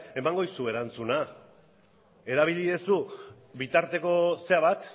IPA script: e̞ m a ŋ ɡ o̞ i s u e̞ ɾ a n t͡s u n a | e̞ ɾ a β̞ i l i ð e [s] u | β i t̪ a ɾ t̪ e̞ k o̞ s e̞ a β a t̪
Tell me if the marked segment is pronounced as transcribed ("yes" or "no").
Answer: yes